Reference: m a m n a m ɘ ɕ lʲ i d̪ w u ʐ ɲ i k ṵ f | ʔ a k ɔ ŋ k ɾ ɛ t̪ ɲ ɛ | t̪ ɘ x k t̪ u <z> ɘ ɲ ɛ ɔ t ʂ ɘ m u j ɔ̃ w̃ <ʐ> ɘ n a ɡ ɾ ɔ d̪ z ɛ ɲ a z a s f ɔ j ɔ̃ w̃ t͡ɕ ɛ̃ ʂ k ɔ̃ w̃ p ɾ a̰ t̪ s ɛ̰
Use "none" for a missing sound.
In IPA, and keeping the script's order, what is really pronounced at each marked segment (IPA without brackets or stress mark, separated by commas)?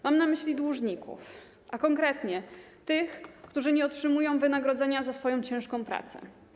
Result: ʐ, v